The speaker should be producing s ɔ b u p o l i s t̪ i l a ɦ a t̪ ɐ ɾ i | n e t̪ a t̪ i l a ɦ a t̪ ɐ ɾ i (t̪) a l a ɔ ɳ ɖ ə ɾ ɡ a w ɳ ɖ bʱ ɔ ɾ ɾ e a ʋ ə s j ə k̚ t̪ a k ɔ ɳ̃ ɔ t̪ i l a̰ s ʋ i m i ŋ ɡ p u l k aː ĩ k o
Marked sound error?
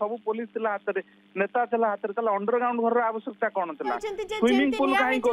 no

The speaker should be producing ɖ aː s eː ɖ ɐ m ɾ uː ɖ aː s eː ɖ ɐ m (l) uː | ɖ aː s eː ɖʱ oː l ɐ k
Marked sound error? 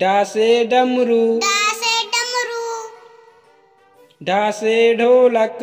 yes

